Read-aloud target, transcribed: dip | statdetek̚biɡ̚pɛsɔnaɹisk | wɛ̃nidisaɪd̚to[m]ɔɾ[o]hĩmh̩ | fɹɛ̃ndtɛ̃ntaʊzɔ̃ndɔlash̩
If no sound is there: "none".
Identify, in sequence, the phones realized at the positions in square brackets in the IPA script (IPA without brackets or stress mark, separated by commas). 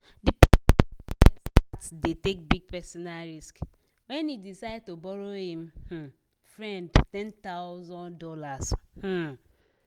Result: b, o